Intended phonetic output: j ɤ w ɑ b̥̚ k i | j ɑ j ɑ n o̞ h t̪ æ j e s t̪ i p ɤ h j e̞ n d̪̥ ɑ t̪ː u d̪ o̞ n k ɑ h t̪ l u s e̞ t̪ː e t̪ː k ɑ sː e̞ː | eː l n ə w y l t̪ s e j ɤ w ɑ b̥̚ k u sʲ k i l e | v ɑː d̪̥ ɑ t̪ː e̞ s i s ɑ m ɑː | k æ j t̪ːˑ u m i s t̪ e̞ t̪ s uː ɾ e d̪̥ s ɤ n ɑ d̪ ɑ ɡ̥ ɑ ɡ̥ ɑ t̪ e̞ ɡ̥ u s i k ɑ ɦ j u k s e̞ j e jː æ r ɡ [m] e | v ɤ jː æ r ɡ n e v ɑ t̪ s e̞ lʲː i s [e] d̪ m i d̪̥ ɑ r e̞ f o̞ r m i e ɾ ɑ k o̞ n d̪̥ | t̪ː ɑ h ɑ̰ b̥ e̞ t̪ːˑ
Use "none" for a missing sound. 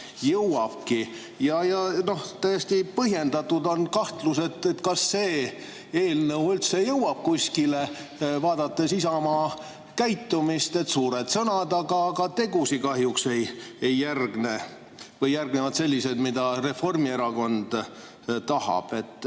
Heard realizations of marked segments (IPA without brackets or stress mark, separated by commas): n, e